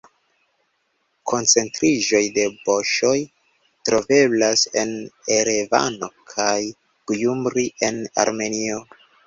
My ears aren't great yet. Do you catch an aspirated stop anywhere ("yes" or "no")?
yes